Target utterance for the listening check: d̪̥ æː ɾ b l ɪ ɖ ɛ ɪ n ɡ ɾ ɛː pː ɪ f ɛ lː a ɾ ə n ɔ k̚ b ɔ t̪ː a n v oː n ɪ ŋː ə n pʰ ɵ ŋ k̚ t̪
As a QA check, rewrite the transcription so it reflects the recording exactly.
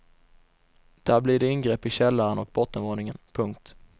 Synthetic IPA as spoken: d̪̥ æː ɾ b l ɪ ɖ ɛ ɪ n ɡ ɾ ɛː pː ɪ ɕ ɛ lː a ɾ ə n ɔ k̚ b ɔ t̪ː ə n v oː n ɪ ŋ ə n pʰ ɵ ŋ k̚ t̪

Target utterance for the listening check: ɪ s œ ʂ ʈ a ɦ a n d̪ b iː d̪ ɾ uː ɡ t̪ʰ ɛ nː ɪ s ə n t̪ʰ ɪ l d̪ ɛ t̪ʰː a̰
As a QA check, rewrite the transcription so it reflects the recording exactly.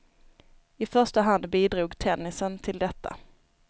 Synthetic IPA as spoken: ɪ f œ ʂ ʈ a ɦ a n d̪ b iː d̪ ɾ uː ɡ t̪ʰ ɛ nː ɪ s ə n t̪ʰ ɪ l d̪ ɛ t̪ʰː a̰

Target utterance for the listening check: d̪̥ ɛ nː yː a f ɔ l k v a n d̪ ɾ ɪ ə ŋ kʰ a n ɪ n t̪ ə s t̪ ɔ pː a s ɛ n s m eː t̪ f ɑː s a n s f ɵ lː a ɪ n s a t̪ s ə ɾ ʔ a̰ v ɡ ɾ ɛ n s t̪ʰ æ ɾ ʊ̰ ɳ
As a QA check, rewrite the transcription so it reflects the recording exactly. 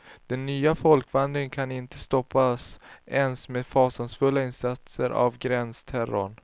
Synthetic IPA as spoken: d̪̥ ɛ nː yː a f ɔ l k v a n d̪ ɾ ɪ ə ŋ kʰ a n ɪ n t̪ ə s t̪ ɔ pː a s ɛ n s m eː d̪ f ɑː s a n s f ɵ lː a ɪ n s a t̪ s ə ɾ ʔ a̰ v ɡ ɾ ɛ n s t̪ʰ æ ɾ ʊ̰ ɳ

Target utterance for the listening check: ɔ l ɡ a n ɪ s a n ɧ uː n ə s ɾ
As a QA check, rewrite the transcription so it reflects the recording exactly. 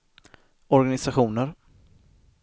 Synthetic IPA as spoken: ɔ ɾ ɡ a n ɪ s a ɧ uː n ə ɾ

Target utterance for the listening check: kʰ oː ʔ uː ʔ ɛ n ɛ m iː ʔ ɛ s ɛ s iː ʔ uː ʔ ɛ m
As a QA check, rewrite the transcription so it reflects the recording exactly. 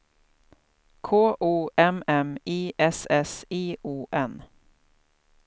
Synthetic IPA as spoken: kʰ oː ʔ uː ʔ ɛ m ɛ m iː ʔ ɛ s ɛ s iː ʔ uː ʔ ɛ n

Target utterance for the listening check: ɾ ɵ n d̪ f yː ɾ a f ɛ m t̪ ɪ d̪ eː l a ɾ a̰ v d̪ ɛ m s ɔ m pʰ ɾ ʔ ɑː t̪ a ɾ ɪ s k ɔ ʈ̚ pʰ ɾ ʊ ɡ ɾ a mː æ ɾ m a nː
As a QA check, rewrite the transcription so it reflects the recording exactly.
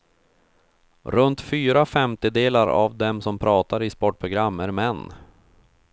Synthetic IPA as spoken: ɾ ɵ n t̪ f yː ɾ a f ɛ m t̪ ɪ d̪ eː l a ɾ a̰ v d̪ ɛ m s ɔ m pʰ ɾ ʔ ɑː t̪ a ɾ ɪ s p ɔ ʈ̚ pʰ ɾ ʊ ɡ ɾ a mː æ ɾ m ɛ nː

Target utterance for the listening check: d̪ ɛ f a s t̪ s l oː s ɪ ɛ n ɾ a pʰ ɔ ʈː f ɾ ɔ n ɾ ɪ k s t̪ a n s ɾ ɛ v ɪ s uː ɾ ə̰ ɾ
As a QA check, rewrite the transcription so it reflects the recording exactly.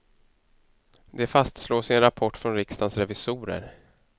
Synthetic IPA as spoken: d̪ ɛ f a s t̪ s l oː s ɪ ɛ n ɾ a pʰ ɔ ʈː f ɾ ɔ n ɾ ɪ k s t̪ a n s ɾ ɛ v ɪ s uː ɾ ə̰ ɾ

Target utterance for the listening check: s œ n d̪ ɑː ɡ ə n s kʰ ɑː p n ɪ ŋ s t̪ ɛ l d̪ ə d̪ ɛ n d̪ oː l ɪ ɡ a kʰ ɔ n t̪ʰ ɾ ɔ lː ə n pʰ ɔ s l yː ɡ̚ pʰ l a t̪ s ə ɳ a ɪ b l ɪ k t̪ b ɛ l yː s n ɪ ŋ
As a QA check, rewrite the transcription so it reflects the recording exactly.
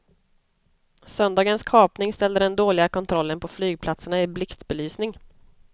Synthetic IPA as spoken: s œ n d̪ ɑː ɡ ə n s kʰ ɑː p n ɪ ŋ s t̪ ɛ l d̪ ə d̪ ɛ n d̪ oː l ɪ ɡ a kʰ ɔ n t̪ʰ ɾ ɔ lː ə n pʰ ɔ f l yː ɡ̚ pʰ l a t̪ s ə ɳ a ɪ b l ɪ k t̪ b ɛ l yː s n ɪ ŋ

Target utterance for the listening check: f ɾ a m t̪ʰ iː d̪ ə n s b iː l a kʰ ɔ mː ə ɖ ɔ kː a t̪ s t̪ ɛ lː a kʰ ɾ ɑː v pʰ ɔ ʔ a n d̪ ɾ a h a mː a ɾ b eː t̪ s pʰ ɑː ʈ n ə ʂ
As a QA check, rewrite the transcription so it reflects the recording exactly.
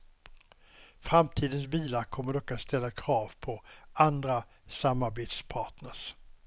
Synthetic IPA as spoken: f ɾ a m t̪ʰ iː d̪ ə n s b iː l a kʰ ɔ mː ə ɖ ɔ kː a t̪ s t̪ ɛ lː a kʰ ɾ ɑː v pʰ ɔ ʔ a n d̪ ɾ a s a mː a ɾ b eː t̪ s pʰ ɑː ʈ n ə ʂ

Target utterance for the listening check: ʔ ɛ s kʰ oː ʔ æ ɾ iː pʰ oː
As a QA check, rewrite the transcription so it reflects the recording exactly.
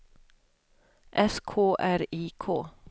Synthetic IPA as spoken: ʔ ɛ s kʰ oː ʔ æ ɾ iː kʰ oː

